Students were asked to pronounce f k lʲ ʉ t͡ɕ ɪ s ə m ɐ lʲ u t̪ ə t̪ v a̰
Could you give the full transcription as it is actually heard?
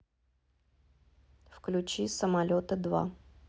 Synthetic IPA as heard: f k lʲ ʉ t͡ɕ i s ə m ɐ lʲ o t̪ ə d̪ v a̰